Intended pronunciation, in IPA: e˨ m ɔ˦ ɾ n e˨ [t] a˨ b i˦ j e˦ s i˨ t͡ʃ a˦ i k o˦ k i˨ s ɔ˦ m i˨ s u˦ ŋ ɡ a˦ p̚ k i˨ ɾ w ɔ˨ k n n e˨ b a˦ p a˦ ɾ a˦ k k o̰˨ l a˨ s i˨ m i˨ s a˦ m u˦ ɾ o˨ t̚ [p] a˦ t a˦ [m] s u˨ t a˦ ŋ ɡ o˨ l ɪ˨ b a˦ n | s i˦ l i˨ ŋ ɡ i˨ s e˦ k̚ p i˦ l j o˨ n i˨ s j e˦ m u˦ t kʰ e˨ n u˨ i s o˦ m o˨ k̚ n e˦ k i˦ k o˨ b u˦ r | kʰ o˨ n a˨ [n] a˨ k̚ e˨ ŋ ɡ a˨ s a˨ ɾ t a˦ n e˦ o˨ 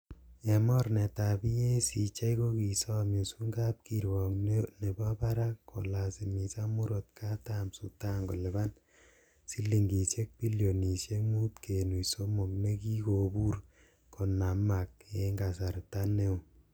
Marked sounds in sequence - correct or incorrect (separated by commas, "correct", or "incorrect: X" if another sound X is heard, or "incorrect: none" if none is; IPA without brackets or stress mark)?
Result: correct, incorrect: k, correct, incorrect: m